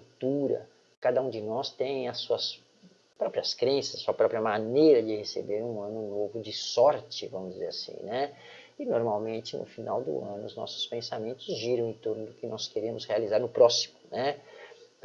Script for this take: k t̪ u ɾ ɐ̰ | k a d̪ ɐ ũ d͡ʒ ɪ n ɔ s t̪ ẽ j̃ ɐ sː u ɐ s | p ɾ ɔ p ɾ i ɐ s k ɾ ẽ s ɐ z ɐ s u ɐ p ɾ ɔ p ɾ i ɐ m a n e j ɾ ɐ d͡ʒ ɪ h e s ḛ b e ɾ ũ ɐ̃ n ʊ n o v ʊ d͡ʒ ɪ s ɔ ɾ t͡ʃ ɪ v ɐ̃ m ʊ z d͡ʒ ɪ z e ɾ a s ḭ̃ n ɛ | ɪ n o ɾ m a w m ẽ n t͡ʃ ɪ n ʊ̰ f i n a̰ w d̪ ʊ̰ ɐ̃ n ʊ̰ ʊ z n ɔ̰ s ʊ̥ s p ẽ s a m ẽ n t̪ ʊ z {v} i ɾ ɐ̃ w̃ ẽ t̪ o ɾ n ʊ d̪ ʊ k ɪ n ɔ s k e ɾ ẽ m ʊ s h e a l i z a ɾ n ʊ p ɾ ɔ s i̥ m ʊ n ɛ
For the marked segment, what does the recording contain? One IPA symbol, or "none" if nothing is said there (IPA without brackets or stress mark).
ʒ